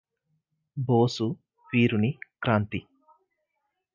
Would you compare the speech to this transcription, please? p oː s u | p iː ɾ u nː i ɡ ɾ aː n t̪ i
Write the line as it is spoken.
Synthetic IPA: b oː s u | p iː ɾ u n i k ɾ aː n t̪ i